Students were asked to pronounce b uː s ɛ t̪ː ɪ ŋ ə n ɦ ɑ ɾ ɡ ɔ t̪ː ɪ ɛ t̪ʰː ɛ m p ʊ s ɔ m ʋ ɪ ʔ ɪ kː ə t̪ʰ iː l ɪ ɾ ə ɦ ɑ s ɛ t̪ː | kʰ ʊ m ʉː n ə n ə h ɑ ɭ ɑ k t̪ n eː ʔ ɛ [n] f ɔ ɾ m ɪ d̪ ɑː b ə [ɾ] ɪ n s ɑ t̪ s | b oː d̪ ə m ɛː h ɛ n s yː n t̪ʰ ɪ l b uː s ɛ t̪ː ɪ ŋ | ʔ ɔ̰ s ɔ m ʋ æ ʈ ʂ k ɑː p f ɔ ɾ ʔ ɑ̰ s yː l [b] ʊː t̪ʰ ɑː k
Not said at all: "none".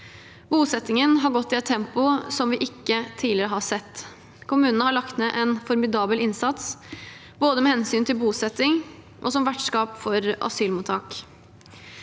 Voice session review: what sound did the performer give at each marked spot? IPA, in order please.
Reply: n, l, m

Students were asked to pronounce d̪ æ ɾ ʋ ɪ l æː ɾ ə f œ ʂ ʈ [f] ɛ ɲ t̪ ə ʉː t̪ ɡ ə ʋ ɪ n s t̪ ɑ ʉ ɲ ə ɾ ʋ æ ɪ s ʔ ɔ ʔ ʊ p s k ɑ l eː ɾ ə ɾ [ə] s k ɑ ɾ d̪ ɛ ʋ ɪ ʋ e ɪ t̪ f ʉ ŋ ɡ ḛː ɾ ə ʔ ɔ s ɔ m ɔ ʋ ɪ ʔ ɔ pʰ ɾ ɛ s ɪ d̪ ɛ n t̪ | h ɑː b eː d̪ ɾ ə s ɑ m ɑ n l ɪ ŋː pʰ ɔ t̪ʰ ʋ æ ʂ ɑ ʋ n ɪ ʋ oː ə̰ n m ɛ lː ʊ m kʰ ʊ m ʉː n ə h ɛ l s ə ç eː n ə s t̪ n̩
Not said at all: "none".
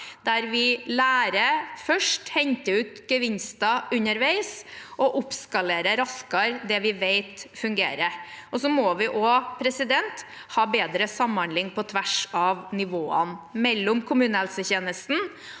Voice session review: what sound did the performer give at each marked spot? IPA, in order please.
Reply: h, ɑ

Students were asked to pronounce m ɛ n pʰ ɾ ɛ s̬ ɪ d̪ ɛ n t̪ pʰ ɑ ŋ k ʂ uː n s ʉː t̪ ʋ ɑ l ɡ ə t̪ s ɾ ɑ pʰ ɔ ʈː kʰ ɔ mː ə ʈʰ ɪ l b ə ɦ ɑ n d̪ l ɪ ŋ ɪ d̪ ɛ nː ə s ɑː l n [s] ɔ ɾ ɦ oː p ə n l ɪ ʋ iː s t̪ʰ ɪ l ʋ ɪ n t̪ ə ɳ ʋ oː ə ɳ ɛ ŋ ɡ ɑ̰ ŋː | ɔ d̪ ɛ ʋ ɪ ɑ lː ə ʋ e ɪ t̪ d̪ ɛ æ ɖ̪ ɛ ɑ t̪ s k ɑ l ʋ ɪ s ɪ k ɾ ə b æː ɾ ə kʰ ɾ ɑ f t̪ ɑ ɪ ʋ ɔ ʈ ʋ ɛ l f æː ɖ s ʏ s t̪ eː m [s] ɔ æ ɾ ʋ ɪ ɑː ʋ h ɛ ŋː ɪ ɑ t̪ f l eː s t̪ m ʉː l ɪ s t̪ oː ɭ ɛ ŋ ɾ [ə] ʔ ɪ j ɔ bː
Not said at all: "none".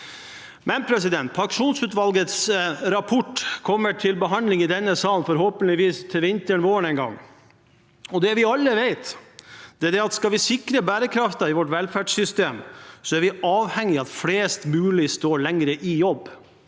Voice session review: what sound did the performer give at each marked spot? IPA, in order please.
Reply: f, s, ə

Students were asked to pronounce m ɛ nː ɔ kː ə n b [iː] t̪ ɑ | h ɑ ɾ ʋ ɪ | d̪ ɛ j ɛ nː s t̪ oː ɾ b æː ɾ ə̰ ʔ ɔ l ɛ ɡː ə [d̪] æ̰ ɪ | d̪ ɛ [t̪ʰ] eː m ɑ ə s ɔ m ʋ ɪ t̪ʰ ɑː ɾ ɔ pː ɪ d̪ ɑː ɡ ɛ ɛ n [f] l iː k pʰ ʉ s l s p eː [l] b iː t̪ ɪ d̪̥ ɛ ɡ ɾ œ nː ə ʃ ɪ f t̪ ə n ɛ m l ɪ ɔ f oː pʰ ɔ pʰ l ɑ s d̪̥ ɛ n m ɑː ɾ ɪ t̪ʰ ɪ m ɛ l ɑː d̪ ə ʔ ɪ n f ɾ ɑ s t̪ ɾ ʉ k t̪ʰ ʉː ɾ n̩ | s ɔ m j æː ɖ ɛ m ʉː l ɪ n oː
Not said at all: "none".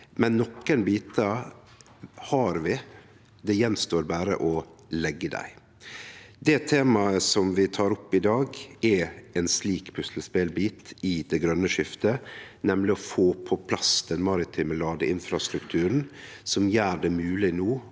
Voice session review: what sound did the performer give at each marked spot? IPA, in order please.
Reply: iː, d̪, t̪ʰ, s, l

